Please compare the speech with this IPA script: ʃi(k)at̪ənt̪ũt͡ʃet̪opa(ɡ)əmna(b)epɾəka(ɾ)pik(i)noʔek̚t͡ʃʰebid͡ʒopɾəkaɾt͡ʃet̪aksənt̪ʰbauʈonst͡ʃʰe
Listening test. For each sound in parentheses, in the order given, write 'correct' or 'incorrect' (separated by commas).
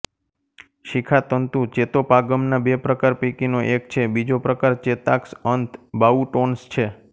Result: incorrect, correct, correct, correct, correct